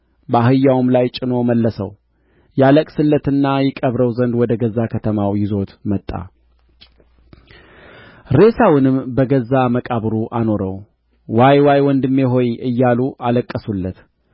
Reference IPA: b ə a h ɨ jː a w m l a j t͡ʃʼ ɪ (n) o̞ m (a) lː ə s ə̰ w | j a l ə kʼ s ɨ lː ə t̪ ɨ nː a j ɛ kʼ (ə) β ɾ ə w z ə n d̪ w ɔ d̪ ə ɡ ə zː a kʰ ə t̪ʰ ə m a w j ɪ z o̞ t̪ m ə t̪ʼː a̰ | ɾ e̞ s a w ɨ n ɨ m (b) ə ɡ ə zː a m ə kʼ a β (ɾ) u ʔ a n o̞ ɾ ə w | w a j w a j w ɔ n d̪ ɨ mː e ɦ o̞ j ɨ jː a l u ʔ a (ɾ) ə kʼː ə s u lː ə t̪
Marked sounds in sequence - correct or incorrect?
correct, incorrect: ə, correct, correct, correct, incorrect: l

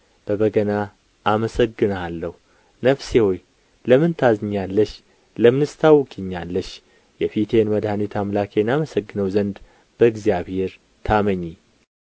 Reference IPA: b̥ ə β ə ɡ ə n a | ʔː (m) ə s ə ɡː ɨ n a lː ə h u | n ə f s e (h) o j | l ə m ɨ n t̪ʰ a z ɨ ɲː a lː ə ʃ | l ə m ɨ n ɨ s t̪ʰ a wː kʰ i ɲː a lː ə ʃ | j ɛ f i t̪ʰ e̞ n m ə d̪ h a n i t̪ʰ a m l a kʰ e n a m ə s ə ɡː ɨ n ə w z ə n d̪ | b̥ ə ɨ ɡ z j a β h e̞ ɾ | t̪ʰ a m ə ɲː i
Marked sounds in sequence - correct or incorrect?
correct, correct

